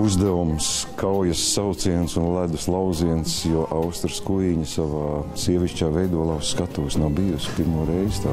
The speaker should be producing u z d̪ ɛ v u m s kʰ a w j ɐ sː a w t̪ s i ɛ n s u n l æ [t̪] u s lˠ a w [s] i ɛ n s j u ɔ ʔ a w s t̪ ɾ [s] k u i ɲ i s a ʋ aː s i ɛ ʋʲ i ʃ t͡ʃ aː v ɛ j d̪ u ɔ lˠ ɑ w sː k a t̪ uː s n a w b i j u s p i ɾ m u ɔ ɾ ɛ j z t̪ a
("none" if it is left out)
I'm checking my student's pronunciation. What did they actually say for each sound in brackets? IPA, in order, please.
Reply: d̪, z, s

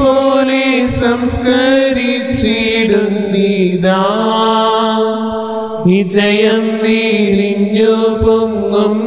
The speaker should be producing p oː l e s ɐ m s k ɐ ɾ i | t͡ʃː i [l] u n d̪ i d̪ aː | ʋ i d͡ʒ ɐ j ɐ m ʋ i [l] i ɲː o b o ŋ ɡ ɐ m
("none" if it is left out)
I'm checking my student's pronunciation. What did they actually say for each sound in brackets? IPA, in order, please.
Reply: ɽ, l

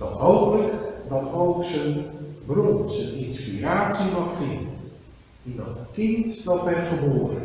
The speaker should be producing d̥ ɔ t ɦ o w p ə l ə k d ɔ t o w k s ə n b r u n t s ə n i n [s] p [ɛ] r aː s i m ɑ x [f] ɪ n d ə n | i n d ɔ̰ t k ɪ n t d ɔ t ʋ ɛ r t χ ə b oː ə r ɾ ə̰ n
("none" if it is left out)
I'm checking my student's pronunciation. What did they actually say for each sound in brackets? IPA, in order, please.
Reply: s, i, f

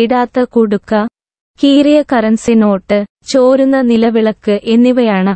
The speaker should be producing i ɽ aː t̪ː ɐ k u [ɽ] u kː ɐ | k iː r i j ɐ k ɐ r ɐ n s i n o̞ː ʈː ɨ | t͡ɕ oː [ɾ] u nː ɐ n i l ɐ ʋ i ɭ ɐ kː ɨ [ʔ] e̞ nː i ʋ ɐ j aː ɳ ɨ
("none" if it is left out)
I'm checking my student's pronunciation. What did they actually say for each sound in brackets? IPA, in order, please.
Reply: ɽ, ɾ, ʔ

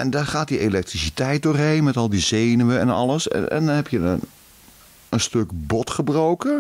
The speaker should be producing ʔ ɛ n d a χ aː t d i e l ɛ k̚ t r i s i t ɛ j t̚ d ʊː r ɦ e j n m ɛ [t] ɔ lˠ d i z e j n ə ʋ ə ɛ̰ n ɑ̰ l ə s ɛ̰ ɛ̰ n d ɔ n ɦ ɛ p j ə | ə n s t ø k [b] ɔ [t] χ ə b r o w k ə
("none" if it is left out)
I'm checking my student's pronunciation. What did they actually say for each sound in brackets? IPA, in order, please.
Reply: t, b, t

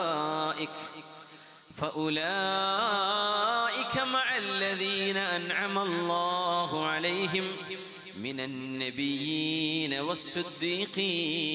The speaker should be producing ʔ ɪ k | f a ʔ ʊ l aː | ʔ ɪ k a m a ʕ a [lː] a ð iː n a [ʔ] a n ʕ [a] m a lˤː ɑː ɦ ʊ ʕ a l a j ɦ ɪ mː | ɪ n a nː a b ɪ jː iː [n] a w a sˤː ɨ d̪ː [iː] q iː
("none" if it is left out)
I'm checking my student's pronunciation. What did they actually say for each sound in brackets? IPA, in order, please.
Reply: lː, ʔ, a, n, iː

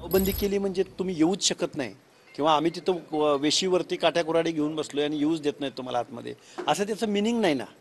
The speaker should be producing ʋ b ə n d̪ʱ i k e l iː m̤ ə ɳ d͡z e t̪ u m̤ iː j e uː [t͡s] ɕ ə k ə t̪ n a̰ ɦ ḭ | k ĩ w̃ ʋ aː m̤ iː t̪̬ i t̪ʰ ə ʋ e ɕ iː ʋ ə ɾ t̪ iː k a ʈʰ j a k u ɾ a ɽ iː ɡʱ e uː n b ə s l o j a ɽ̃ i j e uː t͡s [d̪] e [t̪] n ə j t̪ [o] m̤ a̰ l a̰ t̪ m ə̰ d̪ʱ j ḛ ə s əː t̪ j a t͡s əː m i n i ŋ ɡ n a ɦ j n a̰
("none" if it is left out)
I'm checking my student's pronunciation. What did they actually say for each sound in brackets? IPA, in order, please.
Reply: t͡s, d̪, t̪, u

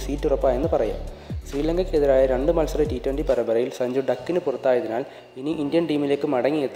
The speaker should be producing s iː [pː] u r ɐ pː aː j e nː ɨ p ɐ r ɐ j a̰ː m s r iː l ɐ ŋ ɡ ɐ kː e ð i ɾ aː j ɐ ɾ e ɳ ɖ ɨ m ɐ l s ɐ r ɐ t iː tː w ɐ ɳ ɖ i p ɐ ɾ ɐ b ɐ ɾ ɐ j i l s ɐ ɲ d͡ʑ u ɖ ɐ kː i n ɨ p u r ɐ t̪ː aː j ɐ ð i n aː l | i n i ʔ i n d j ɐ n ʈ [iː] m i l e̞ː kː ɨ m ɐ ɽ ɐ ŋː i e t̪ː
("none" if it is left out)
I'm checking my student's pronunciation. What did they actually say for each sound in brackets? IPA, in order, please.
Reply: tː, iː

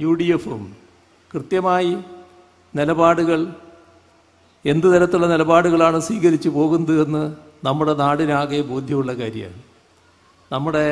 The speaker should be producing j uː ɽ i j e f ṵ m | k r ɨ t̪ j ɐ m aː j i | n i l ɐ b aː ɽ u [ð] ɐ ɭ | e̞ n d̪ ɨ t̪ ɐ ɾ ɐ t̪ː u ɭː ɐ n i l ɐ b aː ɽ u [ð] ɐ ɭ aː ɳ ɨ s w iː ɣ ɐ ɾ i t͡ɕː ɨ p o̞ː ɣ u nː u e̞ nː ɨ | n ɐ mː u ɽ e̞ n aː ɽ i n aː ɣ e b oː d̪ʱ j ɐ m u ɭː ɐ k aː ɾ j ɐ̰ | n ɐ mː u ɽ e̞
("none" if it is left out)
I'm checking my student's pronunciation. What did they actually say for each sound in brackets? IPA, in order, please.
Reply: ɣ, ɣ

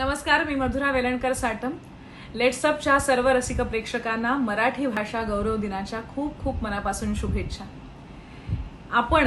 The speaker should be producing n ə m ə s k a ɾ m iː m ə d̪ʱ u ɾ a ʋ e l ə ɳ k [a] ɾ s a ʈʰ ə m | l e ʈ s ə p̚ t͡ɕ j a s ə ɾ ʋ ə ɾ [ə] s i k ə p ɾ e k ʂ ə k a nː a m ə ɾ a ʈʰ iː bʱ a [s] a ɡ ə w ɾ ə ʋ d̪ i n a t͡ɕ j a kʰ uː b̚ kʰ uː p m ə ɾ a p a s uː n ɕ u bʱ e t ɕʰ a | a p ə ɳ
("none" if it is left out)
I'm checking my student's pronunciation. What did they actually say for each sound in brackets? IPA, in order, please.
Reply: ə, ə, ʂ

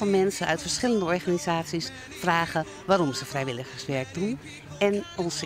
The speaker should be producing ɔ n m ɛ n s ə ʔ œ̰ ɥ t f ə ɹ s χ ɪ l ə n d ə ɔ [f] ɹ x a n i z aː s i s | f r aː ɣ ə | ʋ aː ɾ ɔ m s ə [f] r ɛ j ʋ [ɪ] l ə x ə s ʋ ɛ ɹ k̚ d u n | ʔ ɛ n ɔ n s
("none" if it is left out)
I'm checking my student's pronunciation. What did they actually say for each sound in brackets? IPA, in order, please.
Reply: none, f, ɪ

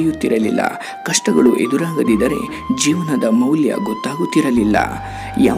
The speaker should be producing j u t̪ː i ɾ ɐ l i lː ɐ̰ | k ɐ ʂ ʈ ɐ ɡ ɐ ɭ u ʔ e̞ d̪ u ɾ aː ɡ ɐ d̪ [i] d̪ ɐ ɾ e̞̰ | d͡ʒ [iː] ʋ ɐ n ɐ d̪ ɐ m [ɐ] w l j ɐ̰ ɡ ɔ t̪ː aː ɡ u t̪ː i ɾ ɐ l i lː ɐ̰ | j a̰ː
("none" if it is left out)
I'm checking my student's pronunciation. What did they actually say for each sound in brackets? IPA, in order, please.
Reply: i, iː, ɐ

